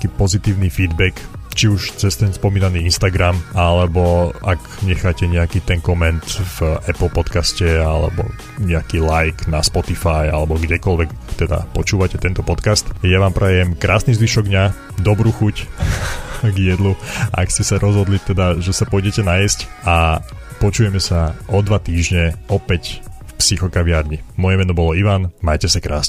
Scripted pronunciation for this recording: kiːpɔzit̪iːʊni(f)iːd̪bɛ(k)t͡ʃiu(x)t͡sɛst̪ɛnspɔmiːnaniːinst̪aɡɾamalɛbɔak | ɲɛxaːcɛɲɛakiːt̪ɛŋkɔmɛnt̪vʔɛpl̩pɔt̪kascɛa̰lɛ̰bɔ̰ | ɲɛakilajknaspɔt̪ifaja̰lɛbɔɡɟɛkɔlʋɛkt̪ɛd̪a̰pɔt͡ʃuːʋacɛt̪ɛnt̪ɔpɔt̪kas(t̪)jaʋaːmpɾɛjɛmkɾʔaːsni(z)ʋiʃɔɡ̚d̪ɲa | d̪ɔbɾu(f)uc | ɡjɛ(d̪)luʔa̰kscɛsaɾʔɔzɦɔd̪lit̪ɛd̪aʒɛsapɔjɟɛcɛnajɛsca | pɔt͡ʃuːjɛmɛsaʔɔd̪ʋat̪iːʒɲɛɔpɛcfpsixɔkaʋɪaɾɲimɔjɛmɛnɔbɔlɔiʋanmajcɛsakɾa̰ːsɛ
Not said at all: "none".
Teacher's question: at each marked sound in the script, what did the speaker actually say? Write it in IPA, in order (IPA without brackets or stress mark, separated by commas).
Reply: f, k, ʃ, t̪, z, x, d̪